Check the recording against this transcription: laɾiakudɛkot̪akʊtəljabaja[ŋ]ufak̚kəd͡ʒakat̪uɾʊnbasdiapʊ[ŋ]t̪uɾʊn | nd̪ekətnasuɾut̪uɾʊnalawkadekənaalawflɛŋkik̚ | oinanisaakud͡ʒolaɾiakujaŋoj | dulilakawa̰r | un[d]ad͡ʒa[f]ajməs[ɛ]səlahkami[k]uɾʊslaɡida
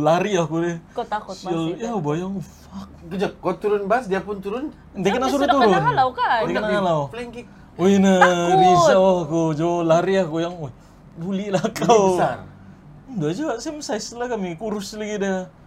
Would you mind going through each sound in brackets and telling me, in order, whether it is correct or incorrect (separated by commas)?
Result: correct, incorrect, correct, incorrect, incorrect, correct